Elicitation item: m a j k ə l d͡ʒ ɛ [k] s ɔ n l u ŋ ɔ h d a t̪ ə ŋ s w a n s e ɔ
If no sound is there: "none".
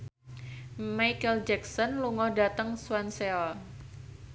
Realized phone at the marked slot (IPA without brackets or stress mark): k